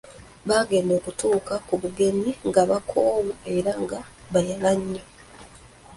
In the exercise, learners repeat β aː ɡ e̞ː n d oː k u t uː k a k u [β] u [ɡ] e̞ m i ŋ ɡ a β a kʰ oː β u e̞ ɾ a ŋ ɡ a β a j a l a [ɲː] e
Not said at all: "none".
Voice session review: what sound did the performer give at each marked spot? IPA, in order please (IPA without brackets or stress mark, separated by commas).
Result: β, ɡ, ɲː